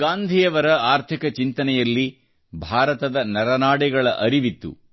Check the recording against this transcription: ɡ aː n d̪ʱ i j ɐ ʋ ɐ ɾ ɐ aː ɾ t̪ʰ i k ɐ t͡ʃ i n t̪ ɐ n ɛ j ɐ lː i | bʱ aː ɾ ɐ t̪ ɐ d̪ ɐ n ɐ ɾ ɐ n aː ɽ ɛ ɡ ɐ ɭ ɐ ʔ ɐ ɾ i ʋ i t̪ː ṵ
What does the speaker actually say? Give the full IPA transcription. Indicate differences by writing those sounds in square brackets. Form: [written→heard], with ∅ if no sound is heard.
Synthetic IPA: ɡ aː n d̪ʱ i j ɐ ʋ ɐ ɾ ɐ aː ɾ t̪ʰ i k ɐ t͡ʃ i n t̪ ɐ n ɛ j ɐ lː i | bʱ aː ɾ ɐ t̪ ɐ d̪ ɐ n ɐ ɾ ɐ n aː ɽ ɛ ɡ ɐ ɭ ɐ ʔ ɐ ɾ i ʋ i t̪ː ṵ

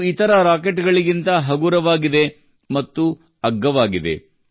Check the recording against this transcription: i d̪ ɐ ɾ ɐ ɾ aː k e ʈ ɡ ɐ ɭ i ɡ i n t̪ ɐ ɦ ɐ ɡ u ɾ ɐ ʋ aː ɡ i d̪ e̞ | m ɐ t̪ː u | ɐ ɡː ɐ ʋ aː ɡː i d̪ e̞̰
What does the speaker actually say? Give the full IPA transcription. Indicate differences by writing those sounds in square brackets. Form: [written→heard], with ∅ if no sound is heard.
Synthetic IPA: i [d̪→t̪] ɐ ɾ ɐ ɾ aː k e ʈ ɡ ɐ ɭ i ɡ i n t̪ ɐ ɦ ɐ ɡ u ɾ ɐ ʋ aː ɡ i d̪ e̞ | m ɐ t̪ː u | ɐ ɡː ɐ ʋ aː [ɡː→ɡ] i d̪ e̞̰

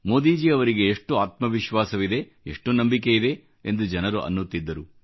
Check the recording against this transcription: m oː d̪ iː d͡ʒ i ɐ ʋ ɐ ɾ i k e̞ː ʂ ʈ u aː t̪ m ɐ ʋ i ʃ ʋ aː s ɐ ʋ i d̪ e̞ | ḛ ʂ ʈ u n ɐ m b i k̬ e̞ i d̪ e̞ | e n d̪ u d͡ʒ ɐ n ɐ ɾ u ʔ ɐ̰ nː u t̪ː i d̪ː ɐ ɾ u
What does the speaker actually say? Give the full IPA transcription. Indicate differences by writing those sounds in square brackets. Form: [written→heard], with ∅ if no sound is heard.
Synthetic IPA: m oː d̪ iː d͡ʒ i ɐ ʋ ɐ ɾ i [k→ɡ] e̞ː ʂ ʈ u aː t̪ m ɐ ʋ i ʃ ʋ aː s ɐ ʋ i d̪ e̞ | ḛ ʂ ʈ u n ɐ m b i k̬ e̞ i d̪ e̞ | e n d̪ u d͡ʒ ɐ n ɐ ɾ u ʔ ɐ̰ nː u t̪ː i d̪ː ɐ ɾ u

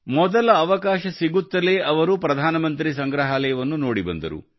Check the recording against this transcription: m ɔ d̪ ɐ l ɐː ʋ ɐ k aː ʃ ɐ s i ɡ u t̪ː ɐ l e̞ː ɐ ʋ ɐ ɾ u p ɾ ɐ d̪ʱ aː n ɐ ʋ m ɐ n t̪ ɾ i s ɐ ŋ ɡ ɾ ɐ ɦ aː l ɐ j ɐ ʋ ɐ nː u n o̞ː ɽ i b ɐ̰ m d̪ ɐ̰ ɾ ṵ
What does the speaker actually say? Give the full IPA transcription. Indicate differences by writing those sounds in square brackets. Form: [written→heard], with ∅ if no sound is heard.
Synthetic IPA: m ɔ d̪ ɐ l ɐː ʋ ɐ k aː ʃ ɐ s i ɡ u t̪ː ɐ l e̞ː ɐ ʋ ɐ ɾ u p ɾ ɐ d̪ʱ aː n ɐ [ʋ→∅] m ɐ n t̪ ɾ i s ɐ ŋ ɡ ɾ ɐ ɦ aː l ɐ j ɐ ʋ ɐ nː u n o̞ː ɽ i b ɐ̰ [m→n] d̪ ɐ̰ ɾ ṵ

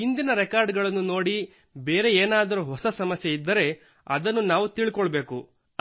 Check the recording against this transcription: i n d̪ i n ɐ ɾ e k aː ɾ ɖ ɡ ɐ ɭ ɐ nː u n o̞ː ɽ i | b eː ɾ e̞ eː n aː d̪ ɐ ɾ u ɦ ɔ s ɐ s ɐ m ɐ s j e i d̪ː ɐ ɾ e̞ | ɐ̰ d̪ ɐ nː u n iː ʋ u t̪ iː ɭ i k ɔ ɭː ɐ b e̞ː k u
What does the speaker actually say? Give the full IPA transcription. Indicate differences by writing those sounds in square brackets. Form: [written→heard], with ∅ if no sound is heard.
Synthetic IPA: i n d̪ i n ɐ ɾ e k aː ɾ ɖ ɡ ɐ ɭ ɐ nː u n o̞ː ɽ i | b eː ɾ e̞ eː n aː d̪ ɐ ɾ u ɦ ɔ s ɐ s ɐ m ɐ s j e i d̪ː ɐ ɾ e̞ | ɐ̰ d̪ ɐ nː u n [iː→aː] ʋ u t̪ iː ɭ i k ɔ [ɭː→ɭ] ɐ b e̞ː k u

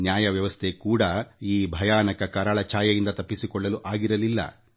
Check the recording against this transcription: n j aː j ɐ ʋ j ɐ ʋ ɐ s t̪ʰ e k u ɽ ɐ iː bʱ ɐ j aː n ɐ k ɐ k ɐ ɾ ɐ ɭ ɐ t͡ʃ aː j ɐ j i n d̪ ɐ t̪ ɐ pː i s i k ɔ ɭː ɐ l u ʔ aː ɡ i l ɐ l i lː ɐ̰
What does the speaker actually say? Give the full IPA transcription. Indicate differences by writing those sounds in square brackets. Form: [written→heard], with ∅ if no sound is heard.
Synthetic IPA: n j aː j ɐ ʋ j ɐ ʋ ɐ s t̪ʰ e k [u→uː] ɽ ɐ iː bʱ ɐ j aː n ɐ k ɐ k ɐ ɾ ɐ ɭ ɐ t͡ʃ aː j ɐ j i n d̪ ɐ t̪ ɐ pː i s i k ɔ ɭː ɐ l u ʔ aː ɡ i [l→ɾ] ɐ l i lː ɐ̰

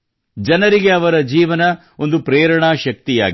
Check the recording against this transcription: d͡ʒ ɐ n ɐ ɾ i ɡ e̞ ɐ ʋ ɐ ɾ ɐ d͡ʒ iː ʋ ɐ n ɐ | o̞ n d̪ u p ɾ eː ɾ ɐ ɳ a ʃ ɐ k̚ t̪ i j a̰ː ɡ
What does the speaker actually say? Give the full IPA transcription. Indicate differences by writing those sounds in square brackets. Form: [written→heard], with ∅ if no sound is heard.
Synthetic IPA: d͡ʒ ɐ n ɐ ɾ i ɡ e̞ ɐ ʋ ɐ ɾ ɐ d͡ʒ iː ʋ ɐ n ɐ | o̞ n d̪ u p ɾ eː ɾ ɐ ɳ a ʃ ɐ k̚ t̪ i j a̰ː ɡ

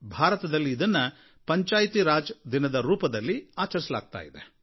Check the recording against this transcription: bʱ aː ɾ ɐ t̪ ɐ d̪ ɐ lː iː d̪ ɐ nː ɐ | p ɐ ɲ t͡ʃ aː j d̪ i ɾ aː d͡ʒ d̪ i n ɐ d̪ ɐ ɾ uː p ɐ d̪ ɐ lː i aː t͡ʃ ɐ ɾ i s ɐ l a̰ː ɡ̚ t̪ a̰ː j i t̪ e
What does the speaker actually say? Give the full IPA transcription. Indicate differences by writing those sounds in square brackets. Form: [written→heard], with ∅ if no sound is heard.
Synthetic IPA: bʱ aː ɾ ɐ t̪ ɐ d̪ ɐ lː iː d̪ ɐ nː ɐ | p ɐ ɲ t͡ʃ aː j [d̪→t̪] i ɾ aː d͡ʒ d̪ i n ɐ d̪ ɐ ɾ uː p ɐ d̪ ɐ lː i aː t͡ʃ ɐ ɾ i s ɐ l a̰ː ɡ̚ t̪ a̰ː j i [t̪→d̪] e

